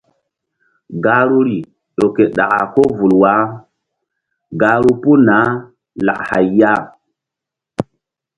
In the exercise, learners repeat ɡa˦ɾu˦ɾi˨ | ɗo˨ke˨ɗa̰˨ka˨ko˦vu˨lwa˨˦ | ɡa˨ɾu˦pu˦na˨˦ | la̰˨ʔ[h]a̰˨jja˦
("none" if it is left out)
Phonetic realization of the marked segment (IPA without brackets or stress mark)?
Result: h